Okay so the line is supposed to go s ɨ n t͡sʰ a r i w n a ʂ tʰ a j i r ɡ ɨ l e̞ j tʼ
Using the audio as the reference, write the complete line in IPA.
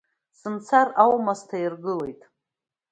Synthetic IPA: s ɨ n t͡sʰ a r a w m a s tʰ a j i r ɡ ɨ l e̞ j tʼ